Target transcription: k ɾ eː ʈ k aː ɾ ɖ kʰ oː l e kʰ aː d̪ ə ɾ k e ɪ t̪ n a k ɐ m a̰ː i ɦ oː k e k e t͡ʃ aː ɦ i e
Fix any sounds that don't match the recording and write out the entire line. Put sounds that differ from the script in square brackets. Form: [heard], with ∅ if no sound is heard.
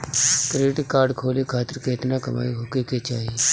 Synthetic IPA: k ɾ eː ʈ k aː ɾ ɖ kʰ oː l e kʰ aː [t̪] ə ɾ k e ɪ t̪ n a k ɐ m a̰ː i ɦ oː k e k e t͡ʃ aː ɦ i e